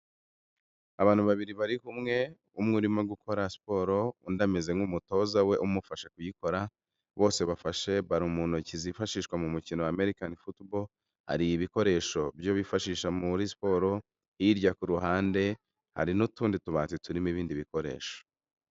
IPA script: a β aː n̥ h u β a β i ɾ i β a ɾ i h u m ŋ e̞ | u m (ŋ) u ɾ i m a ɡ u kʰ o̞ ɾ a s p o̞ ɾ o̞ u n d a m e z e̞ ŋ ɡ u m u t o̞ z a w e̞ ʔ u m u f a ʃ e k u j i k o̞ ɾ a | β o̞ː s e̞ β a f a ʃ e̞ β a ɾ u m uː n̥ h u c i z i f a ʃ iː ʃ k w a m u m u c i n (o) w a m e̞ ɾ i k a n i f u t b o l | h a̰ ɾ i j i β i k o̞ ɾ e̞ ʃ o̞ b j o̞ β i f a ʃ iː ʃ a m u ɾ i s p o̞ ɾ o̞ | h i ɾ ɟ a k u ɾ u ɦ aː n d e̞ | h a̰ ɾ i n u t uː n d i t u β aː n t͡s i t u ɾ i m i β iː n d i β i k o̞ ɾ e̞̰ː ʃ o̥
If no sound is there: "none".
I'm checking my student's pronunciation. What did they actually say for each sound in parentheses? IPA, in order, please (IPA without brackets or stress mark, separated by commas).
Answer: ŋ, o